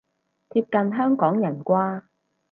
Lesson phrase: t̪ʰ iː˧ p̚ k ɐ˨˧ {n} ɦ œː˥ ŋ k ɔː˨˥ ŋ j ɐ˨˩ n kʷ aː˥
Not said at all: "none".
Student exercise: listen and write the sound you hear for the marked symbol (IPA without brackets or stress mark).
n